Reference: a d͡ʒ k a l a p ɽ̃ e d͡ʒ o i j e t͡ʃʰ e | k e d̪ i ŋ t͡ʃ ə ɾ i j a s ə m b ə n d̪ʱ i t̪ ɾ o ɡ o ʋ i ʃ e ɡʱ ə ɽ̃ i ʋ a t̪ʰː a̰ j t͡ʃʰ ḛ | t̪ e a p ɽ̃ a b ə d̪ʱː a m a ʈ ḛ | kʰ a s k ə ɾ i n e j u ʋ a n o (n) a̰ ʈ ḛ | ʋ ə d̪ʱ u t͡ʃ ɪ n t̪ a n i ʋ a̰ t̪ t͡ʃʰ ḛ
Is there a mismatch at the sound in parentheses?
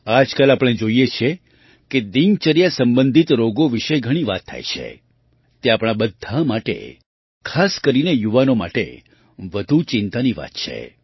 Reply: yes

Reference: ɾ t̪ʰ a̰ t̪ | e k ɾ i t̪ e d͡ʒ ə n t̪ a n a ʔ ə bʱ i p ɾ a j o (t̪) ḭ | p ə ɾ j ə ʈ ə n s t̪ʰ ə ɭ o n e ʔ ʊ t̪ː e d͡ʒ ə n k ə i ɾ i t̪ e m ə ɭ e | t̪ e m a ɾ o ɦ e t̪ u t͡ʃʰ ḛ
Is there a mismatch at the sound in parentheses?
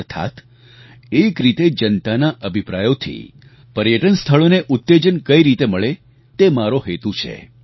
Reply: yes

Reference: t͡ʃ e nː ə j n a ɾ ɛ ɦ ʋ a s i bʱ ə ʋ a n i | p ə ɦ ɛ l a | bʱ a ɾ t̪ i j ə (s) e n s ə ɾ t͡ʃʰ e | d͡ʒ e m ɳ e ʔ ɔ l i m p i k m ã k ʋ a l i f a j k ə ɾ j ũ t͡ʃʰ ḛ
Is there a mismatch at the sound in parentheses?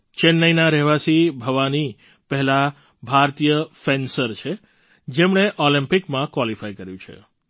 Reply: yes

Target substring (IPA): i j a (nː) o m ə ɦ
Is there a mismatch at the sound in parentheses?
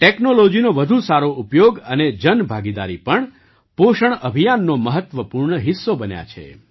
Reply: no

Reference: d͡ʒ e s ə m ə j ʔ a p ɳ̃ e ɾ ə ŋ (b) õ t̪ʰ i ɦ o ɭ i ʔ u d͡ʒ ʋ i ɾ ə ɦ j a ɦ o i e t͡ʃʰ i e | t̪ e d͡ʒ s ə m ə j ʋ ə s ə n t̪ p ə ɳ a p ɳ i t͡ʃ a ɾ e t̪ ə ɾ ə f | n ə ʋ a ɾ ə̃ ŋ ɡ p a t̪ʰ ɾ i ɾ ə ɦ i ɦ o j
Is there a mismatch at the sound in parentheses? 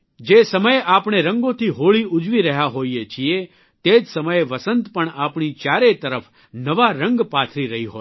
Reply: yes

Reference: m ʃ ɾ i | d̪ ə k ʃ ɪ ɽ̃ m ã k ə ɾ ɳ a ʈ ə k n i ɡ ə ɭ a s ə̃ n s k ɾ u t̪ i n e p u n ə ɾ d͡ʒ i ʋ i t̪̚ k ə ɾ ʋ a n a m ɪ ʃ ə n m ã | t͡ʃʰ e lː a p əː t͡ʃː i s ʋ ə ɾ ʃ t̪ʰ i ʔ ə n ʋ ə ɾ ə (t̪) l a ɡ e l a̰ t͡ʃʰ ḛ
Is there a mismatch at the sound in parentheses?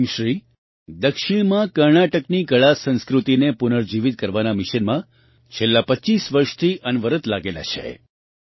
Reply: no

